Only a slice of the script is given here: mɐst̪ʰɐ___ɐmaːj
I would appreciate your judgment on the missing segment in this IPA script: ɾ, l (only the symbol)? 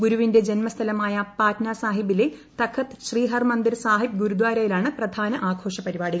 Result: l